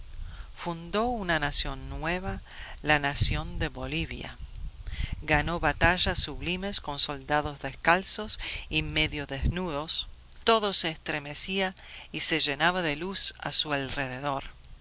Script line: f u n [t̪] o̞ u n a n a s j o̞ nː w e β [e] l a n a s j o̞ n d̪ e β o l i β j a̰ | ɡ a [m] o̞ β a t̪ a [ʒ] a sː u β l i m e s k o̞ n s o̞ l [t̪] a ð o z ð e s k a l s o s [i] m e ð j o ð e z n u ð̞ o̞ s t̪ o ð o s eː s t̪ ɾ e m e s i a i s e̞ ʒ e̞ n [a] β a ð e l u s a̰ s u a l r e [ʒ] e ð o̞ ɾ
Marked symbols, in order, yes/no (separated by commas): no, no, no, yes, no, yes, yes, no